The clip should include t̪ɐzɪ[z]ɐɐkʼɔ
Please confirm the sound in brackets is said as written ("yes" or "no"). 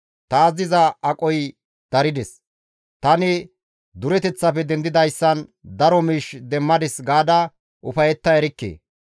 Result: yes